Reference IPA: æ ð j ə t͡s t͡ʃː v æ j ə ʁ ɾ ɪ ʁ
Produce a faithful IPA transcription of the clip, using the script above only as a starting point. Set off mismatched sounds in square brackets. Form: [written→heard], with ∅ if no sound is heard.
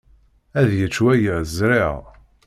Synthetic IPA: æ ð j ə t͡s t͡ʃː [v→w] æ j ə [ʁ→z] ɾ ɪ ʁ

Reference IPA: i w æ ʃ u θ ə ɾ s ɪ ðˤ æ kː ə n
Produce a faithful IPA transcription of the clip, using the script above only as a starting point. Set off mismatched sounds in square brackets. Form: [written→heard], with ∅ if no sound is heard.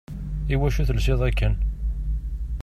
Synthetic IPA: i w æ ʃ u θ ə [ɾ→l] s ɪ ðˤ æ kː ə n

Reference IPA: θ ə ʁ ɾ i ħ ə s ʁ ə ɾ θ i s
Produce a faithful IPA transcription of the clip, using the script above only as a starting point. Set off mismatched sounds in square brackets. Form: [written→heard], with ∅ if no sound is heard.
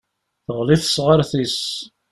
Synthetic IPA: θ ə ʁ [ɾ→l] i [ħ→θ] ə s ʁ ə ɾ θ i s

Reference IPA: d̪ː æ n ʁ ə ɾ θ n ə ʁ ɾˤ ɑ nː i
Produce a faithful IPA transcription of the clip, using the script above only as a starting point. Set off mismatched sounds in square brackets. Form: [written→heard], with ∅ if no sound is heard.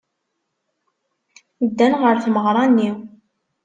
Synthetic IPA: d̪ː æ n ʁ ə ɾ θ [n→m] ə ʁ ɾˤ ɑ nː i

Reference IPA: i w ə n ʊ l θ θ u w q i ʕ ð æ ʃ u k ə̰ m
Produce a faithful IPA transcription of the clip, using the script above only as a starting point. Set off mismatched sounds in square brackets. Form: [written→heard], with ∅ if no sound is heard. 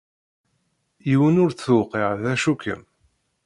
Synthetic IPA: i w ə n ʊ [l→ɾ] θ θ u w q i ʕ ð æ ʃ u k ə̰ m

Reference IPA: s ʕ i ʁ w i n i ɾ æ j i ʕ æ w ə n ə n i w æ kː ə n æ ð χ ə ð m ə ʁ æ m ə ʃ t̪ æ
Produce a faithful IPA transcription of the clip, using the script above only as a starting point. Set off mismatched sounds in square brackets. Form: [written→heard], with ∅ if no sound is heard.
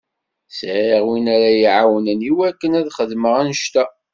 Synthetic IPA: s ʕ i ʁ w i n [i→æ] ɾ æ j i ʕ [æ→a] w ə n ə n i w æ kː ə n æ ð χ ə ð m ə ʁ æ [m→n] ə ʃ t̪ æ

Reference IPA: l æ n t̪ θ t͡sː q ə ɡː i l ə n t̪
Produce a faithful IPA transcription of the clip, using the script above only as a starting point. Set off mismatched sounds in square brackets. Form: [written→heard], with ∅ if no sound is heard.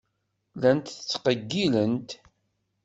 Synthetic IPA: l æ n t̪ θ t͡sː q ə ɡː i l ə n t̪

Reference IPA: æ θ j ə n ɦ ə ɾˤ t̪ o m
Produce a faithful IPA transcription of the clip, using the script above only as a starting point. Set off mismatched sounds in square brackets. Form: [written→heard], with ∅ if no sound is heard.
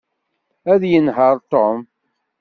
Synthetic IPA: æ [θ→ð] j ə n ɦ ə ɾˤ t̪ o m

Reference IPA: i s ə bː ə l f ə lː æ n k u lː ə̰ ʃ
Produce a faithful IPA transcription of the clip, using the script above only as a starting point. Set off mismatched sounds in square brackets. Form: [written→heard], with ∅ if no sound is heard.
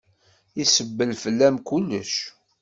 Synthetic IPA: i s ə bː ə l f ə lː æ [n→m] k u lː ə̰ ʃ

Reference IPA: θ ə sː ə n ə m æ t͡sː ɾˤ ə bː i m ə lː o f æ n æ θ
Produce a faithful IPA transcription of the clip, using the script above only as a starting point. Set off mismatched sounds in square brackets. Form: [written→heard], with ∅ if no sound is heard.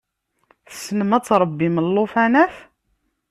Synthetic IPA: θ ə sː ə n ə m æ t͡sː ɾˤ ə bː i m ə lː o f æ n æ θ

